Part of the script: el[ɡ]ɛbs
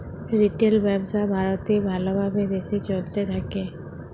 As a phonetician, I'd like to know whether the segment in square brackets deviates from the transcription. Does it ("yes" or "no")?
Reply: yes